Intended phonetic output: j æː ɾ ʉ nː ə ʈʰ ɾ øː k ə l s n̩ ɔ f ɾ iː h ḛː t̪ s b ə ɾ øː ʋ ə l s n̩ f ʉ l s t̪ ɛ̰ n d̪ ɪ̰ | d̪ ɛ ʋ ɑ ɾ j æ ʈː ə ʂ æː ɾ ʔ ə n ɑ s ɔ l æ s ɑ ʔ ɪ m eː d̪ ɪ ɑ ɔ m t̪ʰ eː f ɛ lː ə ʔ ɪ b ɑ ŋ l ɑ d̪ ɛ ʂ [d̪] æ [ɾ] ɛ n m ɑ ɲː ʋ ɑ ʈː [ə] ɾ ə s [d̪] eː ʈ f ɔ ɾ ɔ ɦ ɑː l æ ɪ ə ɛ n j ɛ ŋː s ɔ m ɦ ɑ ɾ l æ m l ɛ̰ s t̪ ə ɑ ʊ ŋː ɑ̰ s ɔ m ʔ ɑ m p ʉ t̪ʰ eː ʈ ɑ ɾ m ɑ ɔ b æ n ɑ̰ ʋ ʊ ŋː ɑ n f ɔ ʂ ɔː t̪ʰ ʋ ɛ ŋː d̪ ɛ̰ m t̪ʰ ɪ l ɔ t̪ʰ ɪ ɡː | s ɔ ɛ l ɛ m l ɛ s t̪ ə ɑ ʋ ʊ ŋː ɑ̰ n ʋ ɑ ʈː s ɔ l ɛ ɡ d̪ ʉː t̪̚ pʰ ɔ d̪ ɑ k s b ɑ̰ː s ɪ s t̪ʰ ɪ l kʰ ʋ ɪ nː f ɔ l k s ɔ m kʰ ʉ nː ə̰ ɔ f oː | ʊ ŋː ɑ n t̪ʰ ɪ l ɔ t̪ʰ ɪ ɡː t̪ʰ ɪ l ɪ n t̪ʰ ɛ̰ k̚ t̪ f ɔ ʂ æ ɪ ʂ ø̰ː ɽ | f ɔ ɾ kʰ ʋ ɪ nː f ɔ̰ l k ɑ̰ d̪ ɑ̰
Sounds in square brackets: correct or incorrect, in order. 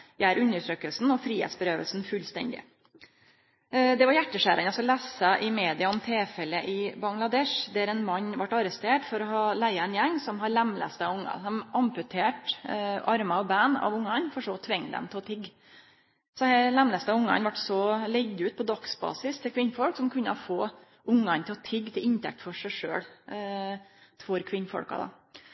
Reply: correct, correct, incorrect: ɑ, incorrect: t̪

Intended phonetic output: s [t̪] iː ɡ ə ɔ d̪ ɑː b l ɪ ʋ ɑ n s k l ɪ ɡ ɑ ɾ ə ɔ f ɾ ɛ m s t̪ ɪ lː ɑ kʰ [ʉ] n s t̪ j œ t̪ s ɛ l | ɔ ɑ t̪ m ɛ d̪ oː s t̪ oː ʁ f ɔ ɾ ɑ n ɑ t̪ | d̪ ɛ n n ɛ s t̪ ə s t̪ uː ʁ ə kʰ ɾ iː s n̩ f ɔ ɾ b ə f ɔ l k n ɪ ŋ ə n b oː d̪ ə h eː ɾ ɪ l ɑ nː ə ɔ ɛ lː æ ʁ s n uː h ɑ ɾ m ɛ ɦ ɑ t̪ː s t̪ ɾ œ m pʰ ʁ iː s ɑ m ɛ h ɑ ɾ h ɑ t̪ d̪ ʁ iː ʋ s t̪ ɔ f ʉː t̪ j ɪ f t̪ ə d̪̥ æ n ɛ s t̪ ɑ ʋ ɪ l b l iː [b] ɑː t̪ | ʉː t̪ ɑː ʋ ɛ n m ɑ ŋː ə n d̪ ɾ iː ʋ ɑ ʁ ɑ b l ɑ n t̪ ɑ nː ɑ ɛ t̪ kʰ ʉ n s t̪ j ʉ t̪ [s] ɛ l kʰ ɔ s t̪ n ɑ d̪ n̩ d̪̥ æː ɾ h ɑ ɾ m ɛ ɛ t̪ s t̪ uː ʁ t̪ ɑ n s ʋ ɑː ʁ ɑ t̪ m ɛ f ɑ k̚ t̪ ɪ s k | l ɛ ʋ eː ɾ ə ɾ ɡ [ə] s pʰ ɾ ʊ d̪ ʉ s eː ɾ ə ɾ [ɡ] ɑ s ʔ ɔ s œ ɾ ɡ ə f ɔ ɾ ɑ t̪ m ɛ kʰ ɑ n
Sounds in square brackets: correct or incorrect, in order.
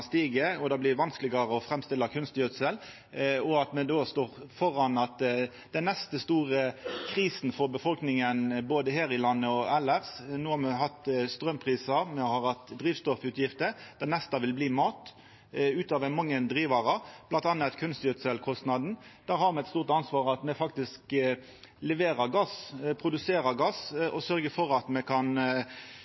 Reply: correct, correct, incorrect: m, correct, incorrect: ɑ, correct

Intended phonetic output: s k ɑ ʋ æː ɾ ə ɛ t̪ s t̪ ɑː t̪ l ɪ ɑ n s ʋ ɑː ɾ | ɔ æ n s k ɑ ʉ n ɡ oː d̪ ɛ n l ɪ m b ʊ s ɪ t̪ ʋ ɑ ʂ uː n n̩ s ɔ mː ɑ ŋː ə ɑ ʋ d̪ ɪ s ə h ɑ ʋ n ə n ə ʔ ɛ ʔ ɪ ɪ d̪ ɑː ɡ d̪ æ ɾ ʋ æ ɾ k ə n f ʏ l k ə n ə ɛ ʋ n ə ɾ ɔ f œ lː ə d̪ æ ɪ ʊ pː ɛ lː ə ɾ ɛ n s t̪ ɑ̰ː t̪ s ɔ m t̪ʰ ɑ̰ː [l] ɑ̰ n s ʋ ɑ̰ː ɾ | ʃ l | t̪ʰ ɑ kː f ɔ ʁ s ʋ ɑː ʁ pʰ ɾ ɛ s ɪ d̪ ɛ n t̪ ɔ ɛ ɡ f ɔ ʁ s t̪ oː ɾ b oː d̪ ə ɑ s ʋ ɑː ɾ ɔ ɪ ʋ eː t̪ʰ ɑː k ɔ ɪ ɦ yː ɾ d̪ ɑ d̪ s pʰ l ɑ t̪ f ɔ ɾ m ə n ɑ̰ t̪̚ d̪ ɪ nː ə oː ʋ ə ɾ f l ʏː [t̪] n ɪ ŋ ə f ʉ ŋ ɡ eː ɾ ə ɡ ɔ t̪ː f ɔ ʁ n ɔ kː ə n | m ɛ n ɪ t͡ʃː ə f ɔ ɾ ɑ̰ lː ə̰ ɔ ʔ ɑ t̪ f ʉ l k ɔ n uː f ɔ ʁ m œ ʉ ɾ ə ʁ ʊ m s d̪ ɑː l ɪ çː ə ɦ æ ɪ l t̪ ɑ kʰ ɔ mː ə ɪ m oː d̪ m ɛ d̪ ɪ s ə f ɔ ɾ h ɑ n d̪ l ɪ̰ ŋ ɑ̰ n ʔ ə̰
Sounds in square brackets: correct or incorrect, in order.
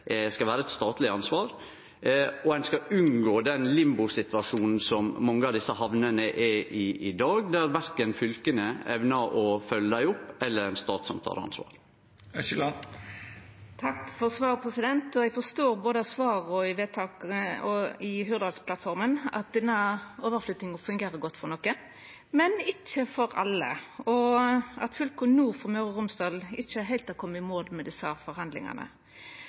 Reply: incorrect: ɾ, correct

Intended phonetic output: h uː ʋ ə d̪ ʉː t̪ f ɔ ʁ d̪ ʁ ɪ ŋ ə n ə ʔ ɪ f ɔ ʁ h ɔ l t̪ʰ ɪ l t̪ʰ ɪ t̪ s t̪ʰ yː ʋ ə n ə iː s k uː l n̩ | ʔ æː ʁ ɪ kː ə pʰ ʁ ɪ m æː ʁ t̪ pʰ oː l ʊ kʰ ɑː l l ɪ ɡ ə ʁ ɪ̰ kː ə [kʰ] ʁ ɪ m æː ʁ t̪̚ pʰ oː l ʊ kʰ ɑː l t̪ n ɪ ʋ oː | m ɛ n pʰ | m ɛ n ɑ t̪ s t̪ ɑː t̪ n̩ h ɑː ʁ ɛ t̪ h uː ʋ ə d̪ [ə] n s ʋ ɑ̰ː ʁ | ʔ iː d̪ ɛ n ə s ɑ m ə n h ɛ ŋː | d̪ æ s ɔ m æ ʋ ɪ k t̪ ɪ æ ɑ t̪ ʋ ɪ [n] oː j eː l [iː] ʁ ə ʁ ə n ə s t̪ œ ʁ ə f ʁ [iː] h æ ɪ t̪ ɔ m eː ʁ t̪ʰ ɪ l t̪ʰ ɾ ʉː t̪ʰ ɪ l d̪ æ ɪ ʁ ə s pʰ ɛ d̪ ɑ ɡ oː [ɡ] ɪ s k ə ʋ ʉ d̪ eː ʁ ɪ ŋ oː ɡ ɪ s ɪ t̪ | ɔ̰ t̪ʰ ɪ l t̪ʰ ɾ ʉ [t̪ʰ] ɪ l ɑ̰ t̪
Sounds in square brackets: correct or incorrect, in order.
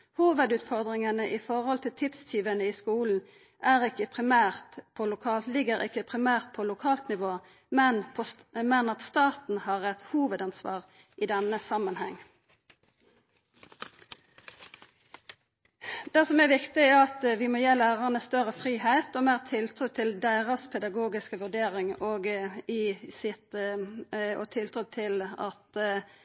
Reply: incorrect: pʰ, incorrect: ɑ, incorrect: m, incorrect: æː, correct, correct, correct

